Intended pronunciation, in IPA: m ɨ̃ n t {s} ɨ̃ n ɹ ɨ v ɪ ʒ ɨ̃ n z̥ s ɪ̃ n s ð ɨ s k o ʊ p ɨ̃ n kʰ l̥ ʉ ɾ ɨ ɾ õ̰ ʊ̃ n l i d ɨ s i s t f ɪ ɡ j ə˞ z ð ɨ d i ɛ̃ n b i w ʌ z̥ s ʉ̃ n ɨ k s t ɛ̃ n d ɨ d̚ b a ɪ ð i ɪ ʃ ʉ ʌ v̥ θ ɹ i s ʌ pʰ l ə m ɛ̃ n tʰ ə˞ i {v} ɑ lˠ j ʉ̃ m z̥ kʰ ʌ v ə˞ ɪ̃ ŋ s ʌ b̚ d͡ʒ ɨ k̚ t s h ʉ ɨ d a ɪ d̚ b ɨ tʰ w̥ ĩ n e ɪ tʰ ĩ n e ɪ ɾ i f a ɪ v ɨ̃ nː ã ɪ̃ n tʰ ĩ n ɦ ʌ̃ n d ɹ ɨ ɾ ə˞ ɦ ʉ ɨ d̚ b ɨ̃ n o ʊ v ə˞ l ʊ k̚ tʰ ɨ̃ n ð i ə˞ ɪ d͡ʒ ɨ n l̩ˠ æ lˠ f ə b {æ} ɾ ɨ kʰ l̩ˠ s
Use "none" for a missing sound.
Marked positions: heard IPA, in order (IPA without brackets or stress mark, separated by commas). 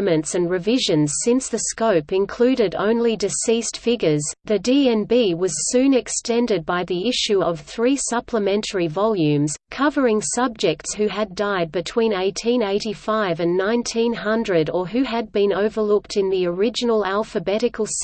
s, v, ɛ